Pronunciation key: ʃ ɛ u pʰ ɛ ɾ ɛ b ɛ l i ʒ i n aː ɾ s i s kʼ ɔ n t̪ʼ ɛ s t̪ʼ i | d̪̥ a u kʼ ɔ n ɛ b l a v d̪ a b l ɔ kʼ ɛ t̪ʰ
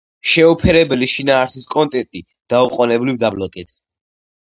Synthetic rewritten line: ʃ ɛ u pʰ ɛ ɾ ɛ b ɛ l i ʃ i n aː ɾ s i s kʼ ɔ n t̪ʼ ɛ t̪ʼ i | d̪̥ a u qʼ ɔ n ɛ b l i v d̪ a b l ɔ kʼ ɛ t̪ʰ